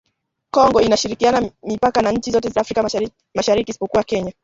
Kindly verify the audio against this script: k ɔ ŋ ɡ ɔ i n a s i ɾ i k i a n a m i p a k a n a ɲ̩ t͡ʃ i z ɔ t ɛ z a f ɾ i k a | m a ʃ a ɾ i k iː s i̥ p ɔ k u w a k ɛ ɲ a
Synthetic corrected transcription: k ɔ ŋ ɡ ɔ i n a ʃ i ɾ i k i a n a m i p a k a n a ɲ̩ t͡ʃ i z ɔ t ɛ z a f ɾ i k a | m a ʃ a ɾ i k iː s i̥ p ɔ k u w a k ɛ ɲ a